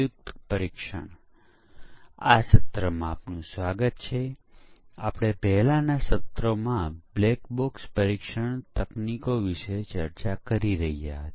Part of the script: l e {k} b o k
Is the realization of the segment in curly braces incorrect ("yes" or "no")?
no